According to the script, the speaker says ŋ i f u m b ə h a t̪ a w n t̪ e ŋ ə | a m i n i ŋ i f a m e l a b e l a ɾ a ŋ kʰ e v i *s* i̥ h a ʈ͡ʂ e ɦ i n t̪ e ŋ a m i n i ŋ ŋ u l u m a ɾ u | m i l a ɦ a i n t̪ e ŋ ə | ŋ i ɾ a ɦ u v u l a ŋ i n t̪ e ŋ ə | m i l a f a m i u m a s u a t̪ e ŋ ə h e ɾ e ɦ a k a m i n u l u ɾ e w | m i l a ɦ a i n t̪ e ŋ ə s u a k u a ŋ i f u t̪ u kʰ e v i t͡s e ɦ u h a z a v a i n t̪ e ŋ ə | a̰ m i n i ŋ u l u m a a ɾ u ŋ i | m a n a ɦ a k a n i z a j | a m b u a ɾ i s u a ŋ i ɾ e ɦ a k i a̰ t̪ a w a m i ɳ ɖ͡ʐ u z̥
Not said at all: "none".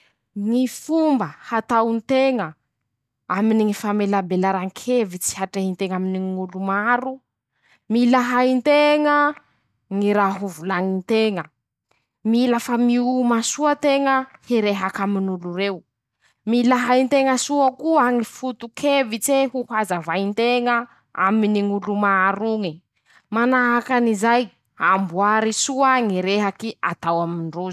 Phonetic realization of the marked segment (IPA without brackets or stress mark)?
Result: t͡s